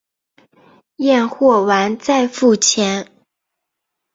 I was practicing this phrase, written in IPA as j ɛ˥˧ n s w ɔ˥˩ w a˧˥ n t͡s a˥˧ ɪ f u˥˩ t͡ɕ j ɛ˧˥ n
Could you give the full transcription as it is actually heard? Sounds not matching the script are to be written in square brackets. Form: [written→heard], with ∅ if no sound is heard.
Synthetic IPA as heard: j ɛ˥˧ n [s→x] w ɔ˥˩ w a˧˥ n t͡s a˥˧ ɪ f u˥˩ [t͡ɕ→t͡ɕʰ] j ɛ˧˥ n